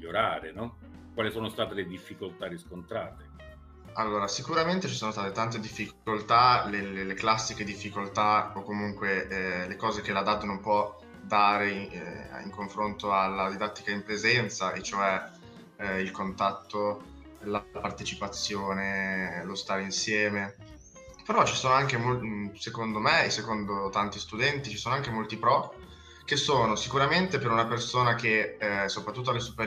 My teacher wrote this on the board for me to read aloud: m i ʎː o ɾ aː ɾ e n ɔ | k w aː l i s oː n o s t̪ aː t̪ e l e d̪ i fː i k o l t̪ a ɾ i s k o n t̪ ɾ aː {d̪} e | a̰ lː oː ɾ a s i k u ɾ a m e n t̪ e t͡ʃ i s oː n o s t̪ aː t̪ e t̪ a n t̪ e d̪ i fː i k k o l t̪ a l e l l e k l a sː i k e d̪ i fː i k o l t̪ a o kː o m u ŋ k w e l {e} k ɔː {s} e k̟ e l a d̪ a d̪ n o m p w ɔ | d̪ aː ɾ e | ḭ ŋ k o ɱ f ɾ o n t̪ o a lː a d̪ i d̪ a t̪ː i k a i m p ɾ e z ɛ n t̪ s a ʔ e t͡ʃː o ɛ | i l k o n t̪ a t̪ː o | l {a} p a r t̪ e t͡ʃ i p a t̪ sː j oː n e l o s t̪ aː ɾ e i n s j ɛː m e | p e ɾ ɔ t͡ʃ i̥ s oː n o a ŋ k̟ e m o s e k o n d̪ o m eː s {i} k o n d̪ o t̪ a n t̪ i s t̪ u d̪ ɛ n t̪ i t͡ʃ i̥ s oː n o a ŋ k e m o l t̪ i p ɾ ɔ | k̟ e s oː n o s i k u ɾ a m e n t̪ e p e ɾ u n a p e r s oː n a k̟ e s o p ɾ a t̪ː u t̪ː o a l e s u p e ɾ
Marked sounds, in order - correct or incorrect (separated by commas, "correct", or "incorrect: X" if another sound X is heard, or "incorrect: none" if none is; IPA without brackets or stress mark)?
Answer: incorrect: t̪, correct, incorrect: z, correct, incorrect: e